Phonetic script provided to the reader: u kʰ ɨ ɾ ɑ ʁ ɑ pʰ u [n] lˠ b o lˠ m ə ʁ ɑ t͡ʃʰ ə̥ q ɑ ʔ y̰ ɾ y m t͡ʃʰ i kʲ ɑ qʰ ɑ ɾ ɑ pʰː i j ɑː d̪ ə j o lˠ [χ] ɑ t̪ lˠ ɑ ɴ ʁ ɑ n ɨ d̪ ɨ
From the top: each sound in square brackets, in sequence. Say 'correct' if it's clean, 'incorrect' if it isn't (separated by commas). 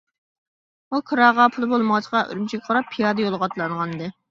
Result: incorrect, incorrect